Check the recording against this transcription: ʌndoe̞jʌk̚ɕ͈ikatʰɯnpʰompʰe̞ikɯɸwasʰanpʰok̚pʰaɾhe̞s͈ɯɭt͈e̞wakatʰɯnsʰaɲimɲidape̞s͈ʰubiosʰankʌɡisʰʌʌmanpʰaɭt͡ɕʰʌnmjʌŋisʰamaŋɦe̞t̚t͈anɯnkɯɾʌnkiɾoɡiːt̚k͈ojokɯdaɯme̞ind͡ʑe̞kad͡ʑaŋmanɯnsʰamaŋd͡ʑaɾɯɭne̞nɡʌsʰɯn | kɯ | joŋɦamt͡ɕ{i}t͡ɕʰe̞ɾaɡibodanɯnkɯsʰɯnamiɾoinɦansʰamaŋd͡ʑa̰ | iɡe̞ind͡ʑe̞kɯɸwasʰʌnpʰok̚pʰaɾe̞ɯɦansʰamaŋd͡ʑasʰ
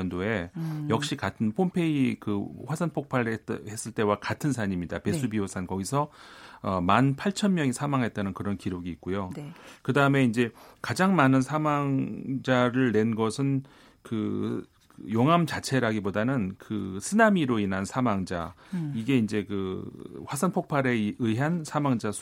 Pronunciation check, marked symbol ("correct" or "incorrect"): incorrect